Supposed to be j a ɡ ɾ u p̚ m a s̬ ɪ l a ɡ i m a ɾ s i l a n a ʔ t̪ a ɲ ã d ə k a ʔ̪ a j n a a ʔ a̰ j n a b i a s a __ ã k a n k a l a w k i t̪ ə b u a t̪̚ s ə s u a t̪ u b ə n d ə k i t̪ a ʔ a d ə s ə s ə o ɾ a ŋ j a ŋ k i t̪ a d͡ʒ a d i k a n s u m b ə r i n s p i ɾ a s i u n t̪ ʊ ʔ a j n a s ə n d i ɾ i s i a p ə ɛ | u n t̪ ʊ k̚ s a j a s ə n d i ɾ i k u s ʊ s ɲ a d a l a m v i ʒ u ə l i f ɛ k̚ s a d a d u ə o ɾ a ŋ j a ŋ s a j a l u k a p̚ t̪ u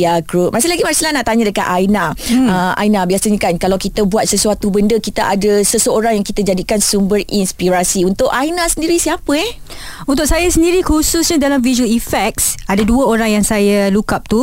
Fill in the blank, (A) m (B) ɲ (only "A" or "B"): B